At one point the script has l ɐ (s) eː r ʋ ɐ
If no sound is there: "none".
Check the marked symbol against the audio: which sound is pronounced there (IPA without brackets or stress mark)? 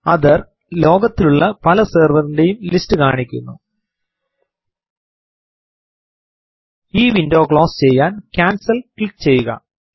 s